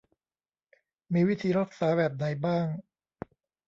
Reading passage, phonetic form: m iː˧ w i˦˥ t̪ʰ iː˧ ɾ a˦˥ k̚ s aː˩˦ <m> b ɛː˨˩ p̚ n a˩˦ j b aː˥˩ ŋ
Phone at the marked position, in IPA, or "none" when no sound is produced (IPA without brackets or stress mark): none